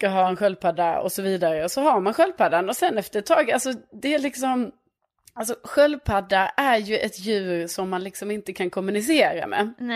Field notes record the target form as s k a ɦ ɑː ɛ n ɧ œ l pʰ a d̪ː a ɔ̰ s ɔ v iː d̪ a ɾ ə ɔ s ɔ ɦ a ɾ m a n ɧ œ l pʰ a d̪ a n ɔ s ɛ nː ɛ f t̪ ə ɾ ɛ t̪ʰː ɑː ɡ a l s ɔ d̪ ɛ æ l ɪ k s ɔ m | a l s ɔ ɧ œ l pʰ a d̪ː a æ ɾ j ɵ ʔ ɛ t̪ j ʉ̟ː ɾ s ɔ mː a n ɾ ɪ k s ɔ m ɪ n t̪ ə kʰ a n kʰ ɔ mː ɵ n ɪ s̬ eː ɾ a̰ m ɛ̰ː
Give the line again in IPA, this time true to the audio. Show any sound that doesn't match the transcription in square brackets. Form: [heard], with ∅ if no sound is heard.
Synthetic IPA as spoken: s k a ɦ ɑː ɛ n ɧ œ l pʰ a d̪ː a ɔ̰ s ɔ v iː d̪ a ɾ ə ɔ s ɔ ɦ a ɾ m a n ɧ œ l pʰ a d̪ a n ɔ s ɛ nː ɛ f t̪ ə ɾ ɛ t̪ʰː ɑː ɡ a l s ɔ d̪ ɛ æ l ɪ k s ɔ m | a l s ɔ ɧ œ l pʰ a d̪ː a æ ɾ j ɵ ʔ ɛ t̪ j ʉ̟ː ɾ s ɔ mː a n [l] ɪ k s ɔ m ɪ n t̪ ə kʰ a n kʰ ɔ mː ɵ n ɪ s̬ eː ɾ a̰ m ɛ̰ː